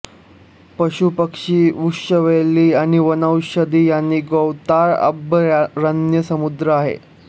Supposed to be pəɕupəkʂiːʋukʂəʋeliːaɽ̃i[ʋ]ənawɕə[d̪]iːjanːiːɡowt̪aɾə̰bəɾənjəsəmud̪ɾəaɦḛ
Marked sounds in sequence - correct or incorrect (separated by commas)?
correct, correct